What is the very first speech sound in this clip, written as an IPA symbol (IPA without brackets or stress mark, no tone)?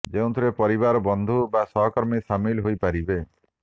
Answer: d͡ʒ